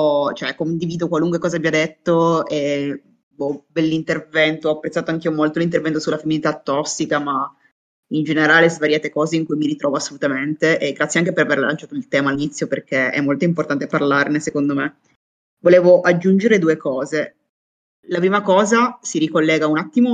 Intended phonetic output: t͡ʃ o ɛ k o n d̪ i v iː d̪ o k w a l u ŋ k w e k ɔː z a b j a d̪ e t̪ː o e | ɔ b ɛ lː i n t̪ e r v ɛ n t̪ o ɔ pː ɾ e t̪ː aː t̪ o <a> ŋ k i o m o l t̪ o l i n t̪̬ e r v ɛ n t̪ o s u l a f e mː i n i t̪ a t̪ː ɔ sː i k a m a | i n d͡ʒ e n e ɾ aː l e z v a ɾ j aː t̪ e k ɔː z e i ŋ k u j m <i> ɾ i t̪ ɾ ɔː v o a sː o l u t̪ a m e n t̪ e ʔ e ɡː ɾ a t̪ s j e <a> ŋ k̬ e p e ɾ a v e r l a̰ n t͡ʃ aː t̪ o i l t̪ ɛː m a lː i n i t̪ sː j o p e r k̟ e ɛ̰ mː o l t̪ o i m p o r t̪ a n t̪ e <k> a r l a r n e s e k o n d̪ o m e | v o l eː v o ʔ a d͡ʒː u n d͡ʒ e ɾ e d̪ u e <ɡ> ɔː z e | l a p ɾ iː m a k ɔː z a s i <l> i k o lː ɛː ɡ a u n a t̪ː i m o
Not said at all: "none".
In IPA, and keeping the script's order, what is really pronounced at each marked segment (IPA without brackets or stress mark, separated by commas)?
a, i, a, p, k, ɾ